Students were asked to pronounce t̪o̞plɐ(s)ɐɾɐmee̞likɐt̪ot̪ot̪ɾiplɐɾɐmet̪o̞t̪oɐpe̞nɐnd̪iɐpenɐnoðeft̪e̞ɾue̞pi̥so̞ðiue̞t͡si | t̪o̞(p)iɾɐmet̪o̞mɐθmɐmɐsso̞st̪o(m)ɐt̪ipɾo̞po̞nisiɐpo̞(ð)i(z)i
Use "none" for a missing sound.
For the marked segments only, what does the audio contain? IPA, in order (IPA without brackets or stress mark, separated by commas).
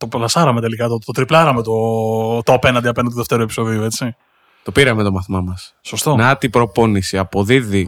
s, p, n, ð, ð